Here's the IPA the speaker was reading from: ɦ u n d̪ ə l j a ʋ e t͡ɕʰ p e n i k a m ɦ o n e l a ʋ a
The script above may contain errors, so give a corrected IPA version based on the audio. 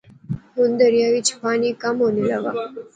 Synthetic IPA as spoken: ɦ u n d̪ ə ɾ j a ʋ i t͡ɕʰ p a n i k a m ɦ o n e l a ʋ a